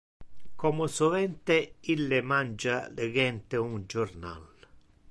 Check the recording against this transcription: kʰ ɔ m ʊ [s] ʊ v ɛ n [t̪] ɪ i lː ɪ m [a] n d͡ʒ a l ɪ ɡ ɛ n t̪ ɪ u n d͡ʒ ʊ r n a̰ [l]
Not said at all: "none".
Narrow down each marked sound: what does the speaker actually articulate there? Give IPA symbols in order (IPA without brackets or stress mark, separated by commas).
s, t̪, a, l